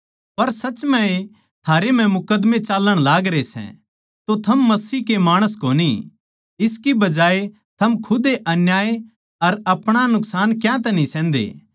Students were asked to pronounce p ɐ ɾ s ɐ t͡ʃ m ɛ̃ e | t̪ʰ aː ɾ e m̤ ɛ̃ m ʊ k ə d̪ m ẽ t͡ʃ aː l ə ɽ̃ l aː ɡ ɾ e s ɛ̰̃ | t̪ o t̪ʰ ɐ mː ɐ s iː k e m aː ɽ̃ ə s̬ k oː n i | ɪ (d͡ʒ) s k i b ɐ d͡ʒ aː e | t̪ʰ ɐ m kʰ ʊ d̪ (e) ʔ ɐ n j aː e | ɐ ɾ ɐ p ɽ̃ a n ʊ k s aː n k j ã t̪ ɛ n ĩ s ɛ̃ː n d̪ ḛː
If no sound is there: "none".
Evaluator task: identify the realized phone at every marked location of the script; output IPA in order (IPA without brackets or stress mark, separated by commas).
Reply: none, e